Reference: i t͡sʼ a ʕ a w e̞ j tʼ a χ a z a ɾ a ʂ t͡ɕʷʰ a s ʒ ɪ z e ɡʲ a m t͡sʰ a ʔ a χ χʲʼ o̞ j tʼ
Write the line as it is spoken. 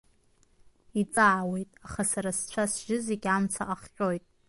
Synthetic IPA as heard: i t͡sʼ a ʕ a w e̞ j tʼ a χ a s a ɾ a s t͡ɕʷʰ a s ʒ ɪ z e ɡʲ a m t͡sʰ a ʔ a χ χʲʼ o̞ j tʼ

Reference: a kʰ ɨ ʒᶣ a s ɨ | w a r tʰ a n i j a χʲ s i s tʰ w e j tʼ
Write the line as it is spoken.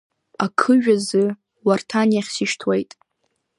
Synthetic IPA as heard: a kʰ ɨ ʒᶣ a z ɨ | w a r tʰ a n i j a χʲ s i ʃ tʰ w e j tʼ

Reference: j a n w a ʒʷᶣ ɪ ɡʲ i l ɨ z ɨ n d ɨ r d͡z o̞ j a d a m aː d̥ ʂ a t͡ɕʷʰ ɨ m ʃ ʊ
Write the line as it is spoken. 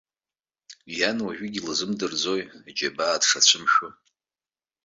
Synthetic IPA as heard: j a n w a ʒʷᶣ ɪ ɡʲ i l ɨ z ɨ m d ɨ r d͡z o̞ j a d͡ʒ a b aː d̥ ʂ a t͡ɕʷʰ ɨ m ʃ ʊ

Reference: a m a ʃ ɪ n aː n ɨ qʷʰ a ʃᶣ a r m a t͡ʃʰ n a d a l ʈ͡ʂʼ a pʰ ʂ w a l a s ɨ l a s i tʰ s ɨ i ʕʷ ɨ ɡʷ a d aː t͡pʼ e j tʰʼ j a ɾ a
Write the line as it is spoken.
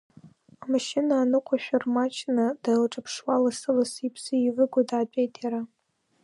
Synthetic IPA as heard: a m a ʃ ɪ n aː n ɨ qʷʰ a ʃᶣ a r m a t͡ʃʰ n a d a l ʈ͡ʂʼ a pʰ ʂ w a l a s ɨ l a s i pʰ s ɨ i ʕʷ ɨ ɡʷ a d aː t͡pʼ e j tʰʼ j a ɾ a

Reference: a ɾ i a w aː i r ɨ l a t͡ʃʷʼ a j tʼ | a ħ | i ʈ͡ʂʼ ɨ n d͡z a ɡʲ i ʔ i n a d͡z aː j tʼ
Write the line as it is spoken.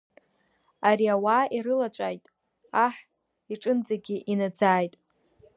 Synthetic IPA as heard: a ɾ i a w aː i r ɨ l a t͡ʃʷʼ a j tʼ | a ħ | i ʈ͡ʂʼ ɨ n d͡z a ɡʲ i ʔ i n a d͡z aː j tʼ

